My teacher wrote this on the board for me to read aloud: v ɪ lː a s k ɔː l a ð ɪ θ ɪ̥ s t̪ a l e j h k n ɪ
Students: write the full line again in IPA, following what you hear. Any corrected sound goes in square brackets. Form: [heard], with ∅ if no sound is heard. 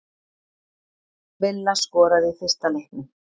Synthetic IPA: v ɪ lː a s k ɔː [ɾ] a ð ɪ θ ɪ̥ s t̪ a l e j h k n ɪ